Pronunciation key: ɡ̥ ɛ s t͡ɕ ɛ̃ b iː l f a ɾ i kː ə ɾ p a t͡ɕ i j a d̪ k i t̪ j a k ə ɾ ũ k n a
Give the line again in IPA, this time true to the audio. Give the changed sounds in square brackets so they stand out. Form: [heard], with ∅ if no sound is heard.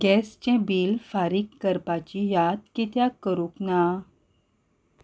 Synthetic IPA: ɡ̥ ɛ s t͡ɕ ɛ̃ b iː l f a ɾ i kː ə ɾ p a t͡ɕ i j a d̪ k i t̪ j a k ə ɾ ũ k n a